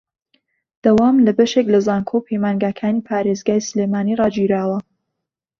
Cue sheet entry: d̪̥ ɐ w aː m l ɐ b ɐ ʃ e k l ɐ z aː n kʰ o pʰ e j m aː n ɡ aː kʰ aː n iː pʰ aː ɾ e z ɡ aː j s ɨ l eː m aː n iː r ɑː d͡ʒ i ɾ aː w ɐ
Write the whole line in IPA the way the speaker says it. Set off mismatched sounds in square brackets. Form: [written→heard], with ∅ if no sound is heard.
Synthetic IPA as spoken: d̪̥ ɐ w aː m l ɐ b ɐ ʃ e k l ɐ z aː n kʰ o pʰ e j m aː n ɡ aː kʰ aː n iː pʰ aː ɾ e z ɡ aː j s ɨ l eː m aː n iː r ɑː d͡ʒ i ɾ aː w ɐ